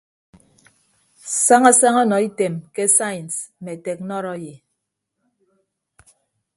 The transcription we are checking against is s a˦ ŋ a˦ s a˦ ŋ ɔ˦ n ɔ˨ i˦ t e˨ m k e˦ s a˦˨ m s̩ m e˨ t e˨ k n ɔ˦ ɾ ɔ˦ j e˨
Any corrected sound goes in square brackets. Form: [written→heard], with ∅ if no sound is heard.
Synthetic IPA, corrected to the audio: s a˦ ŋ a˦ s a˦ ŋ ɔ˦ n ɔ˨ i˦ t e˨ m k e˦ s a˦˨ [m→n] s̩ m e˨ t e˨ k n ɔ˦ ɾ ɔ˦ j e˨